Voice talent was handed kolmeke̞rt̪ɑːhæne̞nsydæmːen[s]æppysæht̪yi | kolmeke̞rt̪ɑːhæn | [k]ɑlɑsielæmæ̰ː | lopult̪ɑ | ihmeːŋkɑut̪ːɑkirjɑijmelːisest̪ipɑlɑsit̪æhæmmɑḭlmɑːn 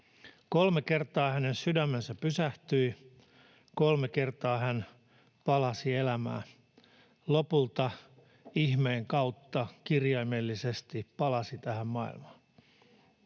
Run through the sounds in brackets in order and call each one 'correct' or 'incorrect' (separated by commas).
correct, incorrect